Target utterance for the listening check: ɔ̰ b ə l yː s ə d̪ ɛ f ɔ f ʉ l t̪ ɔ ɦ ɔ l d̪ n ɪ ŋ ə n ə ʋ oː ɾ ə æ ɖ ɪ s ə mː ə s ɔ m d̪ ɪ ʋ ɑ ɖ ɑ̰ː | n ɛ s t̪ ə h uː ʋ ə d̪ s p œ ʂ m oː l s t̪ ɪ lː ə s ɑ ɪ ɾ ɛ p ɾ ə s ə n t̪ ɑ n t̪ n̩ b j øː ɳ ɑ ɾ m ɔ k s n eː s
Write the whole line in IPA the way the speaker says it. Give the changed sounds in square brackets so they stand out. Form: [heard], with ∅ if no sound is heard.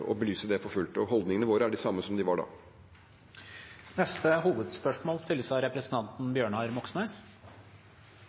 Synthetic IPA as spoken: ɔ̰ b ə l yː s ə d̪ ɛ f ɔ f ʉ l t̪ ɔ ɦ ɔ l d̪ n ɪ ŋ ə n ə ʋ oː ɾ ə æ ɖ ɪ s [ɑ] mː ə s ɔ m d̪ ɪ ʋ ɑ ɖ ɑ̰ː | n ɛ s t̪ ə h uː ʋ ə d̪ s p œ ʂ m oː l s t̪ ɪ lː ə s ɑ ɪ ɾ ɛ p ɾ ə s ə n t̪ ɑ n t̪ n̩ b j øː ɳ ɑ ɾ m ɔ k s n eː s